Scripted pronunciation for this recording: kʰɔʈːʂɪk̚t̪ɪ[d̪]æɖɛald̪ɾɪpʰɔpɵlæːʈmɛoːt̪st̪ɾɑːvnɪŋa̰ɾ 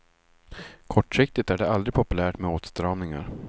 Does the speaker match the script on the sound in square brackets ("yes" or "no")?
no